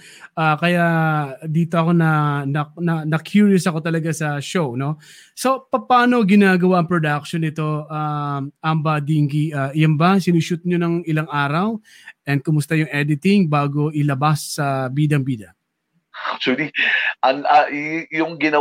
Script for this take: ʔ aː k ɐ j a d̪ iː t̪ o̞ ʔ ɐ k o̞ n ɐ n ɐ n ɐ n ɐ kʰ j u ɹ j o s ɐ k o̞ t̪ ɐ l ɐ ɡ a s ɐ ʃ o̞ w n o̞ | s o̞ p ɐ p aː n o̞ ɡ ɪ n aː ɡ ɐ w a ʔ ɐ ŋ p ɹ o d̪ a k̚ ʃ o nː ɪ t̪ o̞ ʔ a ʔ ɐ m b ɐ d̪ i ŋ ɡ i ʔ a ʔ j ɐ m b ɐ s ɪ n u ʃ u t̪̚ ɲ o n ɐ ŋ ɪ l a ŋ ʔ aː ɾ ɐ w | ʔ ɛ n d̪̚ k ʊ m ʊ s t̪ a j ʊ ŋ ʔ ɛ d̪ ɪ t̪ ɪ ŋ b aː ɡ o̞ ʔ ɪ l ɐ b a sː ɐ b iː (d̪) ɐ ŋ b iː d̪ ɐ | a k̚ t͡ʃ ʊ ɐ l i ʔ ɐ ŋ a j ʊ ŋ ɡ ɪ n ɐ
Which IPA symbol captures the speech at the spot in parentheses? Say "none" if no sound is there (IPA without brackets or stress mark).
d̪